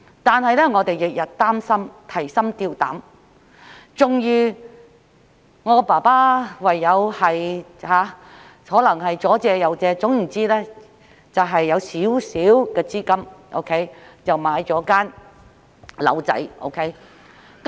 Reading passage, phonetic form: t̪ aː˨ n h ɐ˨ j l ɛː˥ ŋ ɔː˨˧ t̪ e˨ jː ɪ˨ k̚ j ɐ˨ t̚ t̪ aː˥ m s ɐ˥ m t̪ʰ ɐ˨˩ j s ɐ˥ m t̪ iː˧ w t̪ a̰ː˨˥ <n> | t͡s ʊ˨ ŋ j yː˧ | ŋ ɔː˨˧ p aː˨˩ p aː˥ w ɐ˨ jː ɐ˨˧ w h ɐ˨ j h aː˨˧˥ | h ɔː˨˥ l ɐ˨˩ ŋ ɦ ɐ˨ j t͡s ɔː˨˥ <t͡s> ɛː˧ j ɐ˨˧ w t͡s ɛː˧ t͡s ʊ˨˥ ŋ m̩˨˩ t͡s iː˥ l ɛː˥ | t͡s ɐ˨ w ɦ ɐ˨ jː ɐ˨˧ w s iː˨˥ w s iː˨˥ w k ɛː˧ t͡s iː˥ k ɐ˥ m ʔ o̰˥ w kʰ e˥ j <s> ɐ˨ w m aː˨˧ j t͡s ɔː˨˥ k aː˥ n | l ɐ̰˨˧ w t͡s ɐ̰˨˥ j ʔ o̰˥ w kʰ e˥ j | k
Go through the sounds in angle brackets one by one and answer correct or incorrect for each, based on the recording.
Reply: incorrect, correct, incorrect

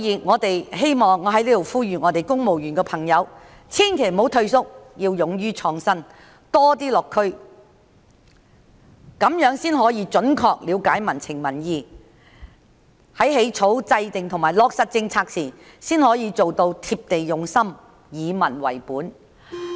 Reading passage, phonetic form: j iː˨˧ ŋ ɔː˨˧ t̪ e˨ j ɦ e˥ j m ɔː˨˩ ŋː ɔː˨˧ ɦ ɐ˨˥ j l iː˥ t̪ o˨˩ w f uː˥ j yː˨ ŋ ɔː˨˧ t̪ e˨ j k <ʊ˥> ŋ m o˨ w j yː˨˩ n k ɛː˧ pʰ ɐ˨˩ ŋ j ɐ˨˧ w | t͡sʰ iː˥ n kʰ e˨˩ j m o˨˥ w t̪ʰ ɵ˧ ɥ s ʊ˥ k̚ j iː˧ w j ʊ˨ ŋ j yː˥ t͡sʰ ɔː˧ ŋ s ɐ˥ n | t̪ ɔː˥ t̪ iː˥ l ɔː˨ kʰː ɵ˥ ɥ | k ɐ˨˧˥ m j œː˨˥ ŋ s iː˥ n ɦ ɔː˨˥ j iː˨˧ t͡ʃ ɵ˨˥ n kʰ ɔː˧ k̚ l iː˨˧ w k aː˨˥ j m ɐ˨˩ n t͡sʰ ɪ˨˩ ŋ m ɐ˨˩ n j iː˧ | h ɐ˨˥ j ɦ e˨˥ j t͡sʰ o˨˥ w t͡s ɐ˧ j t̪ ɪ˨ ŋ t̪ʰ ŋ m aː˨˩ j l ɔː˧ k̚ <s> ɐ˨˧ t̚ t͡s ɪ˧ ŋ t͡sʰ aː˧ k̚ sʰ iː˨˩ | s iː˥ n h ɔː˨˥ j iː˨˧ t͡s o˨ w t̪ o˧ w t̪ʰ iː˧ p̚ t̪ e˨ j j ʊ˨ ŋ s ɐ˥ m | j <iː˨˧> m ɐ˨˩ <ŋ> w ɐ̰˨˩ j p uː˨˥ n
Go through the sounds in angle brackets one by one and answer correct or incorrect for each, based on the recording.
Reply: correct, correct, correct, incorrect

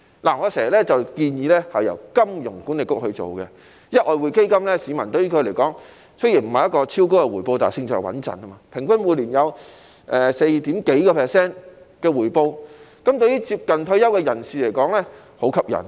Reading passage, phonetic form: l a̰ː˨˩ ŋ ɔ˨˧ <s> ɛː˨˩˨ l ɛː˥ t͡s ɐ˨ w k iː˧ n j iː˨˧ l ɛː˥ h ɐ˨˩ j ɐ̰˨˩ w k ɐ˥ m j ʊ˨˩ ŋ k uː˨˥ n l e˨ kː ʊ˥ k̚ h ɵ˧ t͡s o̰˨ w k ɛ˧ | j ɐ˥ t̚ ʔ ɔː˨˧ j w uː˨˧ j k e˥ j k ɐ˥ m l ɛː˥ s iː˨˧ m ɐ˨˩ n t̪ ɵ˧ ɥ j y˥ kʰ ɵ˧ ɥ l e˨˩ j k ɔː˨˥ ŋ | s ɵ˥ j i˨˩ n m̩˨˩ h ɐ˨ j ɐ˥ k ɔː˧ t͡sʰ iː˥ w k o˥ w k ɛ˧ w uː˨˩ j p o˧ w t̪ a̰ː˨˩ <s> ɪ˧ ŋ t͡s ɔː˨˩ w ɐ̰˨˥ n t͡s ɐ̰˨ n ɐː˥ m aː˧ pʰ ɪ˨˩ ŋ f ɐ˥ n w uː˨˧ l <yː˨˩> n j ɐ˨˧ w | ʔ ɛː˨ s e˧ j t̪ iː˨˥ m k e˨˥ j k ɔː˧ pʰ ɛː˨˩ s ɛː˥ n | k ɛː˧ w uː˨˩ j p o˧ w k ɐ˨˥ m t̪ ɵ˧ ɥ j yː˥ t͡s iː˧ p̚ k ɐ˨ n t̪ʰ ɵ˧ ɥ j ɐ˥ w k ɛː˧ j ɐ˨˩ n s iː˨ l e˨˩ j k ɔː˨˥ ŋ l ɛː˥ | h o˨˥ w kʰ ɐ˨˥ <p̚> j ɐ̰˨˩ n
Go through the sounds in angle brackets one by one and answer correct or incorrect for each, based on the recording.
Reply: correct, correct, incorrect, correct

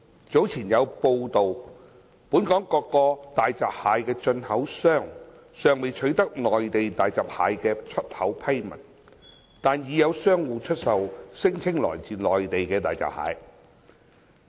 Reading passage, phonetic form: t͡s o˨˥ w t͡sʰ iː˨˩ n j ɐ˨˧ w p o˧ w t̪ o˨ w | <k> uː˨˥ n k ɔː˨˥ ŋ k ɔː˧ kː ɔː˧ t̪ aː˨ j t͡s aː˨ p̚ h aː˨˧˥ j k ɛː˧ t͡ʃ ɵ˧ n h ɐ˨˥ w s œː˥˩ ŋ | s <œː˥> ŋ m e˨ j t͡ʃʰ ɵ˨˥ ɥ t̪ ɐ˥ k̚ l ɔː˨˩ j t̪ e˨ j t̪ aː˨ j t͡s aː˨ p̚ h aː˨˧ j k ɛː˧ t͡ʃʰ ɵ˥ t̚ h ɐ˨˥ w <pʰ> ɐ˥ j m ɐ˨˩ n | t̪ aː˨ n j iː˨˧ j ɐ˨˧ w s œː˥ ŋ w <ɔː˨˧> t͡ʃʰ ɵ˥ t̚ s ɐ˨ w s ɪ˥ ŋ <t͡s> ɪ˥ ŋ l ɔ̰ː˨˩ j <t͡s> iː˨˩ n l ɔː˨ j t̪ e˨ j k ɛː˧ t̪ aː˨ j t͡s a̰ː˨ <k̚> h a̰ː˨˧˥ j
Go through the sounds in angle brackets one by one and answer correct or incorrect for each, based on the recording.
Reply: incorrect, incorrect, correct, incorrect, incorrect, correct, incorrect

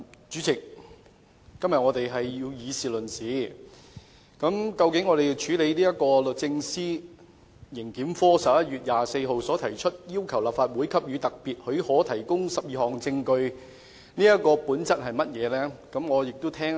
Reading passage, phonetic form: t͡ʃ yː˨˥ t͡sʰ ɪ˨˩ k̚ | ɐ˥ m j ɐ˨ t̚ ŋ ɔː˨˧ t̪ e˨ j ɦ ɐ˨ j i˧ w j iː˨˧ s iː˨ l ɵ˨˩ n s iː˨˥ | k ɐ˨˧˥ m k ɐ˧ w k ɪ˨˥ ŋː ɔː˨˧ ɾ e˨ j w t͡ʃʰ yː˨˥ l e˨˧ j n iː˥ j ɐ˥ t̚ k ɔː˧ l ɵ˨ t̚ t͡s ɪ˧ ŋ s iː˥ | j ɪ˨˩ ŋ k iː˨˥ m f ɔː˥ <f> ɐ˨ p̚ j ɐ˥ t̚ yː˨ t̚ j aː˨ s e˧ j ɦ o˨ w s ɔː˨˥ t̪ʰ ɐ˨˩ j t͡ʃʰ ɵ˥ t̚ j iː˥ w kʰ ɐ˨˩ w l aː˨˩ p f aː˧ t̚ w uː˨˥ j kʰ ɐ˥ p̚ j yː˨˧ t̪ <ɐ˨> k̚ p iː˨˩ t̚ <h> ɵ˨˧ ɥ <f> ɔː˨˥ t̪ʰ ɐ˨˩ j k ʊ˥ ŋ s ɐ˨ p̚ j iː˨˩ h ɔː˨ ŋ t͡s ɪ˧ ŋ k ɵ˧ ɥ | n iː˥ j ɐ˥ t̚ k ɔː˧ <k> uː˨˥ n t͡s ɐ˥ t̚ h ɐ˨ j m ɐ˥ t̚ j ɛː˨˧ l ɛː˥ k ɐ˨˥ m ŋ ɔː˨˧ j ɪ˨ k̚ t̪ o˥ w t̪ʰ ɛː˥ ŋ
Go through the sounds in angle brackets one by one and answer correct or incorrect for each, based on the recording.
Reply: incorrect, correct, correct, incorrect, incorrect

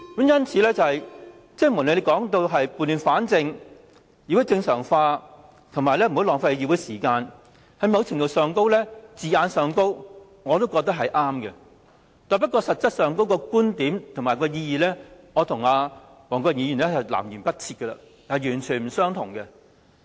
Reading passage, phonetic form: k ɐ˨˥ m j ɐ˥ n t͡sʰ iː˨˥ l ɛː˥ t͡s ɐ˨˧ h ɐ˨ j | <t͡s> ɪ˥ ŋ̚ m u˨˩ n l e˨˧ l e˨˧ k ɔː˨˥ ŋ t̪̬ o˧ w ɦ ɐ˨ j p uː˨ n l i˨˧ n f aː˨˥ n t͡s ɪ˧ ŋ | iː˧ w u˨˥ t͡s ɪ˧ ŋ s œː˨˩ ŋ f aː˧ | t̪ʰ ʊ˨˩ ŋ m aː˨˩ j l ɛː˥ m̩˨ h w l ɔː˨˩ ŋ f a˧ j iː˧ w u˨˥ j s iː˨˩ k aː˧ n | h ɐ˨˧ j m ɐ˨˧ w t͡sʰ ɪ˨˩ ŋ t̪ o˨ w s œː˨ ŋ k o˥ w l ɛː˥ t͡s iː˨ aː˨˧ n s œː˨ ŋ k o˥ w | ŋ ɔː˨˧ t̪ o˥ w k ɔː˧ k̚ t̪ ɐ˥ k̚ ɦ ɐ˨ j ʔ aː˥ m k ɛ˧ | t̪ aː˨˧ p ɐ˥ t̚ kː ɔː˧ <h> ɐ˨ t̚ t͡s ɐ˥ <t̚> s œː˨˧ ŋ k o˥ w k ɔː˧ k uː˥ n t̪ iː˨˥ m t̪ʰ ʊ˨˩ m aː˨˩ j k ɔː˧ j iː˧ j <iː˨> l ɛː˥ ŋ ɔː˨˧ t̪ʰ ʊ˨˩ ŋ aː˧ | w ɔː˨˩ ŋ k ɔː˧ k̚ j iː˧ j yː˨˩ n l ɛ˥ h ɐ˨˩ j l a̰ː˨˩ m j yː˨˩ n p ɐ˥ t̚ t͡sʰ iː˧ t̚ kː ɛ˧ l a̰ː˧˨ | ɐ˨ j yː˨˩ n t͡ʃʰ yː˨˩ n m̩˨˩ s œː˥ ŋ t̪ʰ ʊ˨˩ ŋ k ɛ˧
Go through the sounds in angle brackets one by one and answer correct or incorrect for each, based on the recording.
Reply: correct, incorrect, correct, correct

